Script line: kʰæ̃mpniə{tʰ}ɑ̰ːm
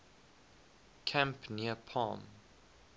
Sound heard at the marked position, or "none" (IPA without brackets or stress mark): pʰ